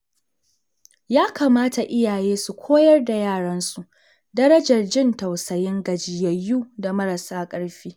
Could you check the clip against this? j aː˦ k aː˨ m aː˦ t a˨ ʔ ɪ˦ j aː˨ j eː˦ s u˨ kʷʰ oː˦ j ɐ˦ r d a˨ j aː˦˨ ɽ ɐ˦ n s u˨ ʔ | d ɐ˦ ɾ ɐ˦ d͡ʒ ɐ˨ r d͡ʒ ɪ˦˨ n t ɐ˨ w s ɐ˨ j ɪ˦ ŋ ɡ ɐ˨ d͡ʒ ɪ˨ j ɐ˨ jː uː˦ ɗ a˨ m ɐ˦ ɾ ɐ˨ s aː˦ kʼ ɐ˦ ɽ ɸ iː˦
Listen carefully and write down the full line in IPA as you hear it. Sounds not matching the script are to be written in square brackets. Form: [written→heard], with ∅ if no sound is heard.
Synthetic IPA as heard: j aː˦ k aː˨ m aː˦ t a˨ ʔ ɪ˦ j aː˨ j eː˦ s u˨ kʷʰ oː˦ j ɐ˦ r d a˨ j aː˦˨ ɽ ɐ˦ n s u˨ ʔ | d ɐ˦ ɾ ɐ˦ d͡ʒ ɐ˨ r d͡ʒ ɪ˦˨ n t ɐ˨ w s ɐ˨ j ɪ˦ ŋ ɡ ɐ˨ d͡ʒ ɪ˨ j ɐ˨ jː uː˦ [ɗ→d] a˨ m ɐ˦ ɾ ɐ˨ s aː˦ kʼ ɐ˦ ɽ ɸ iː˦